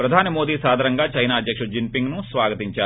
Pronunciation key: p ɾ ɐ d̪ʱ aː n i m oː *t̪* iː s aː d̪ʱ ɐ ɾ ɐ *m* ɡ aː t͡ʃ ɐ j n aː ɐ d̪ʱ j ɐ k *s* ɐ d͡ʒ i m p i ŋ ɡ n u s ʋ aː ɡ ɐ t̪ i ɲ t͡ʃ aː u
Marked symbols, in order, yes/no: no, no, no

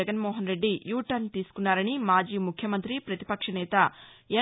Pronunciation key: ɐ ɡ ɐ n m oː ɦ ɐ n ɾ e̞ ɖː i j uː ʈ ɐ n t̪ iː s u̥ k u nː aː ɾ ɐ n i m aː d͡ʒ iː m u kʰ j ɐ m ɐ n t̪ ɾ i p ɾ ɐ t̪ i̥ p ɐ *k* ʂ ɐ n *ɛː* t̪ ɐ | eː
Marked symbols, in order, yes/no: yes, yes

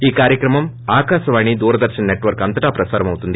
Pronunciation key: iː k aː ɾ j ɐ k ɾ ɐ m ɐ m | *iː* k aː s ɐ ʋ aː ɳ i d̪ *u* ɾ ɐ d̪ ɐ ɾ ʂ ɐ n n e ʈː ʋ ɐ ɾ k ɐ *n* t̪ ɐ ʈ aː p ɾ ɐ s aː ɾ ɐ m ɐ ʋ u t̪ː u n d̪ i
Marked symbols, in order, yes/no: no, no, yes

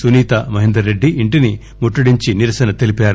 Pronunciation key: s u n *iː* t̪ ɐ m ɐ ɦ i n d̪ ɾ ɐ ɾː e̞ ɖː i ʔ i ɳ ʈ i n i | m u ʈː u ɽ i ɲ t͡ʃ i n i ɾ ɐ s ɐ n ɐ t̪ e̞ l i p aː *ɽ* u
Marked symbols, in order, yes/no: yes, no

